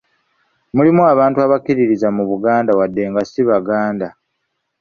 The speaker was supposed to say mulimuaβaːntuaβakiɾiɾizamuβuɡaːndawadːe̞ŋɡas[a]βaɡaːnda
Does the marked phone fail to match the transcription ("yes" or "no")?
yes